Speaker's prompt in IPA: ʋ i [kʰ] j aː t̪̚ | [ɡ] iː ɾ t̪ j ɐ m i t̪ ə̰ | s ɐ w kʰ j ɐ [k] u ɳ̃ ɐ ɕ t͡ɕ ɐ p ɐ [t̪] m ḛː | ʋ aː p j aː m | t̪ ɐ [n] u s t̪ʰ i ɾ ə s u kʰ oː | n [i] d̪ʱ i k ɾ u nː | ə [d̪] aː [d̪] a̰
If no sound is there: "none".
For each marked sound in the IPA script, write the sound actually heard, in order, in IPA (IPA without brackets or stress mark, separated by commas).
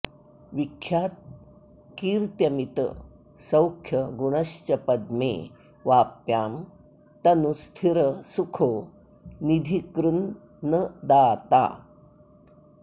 kʰ, k, ɡ, d̪, n, i, d̪, t̪